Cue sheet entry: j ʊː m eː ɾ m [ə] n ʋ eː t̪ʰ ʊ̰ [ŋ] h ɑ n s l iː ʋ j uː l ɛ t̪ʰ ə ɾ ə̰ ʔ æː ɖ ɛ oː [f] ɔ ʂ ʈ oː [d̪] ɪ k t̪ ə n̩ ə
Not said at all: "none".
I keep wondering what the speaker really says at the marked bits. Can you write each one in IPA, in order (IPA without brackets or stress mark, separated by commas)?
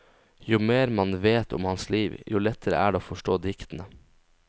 ɑ, m, f, d̪